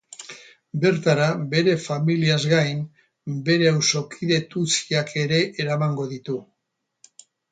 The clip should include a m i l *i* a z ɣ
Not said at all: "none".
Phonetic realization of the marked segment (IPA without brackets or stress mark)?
i